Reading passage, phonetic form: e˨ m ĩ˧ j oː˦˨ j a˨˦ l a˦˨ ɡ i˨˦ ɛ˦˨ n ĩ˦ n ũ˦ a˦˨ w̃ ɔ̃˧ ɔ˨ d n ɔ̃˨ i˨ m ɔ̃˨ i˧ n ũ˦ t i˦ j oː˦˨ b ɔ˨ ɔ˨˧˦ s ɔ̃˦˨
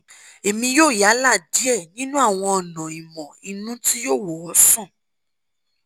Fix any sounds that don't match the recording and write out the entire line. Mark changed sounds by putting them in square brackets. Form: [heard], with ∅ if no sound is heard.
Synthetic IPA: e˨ m ĩ˧ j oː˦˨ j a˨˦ l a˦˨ [d] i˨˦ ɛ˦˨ n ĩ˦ n ũ˦ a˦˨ w̃ ɔ̃˧ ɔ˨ [∅] n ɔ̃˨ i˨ m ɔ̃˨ i˧ n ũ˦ t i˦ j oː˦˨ [w] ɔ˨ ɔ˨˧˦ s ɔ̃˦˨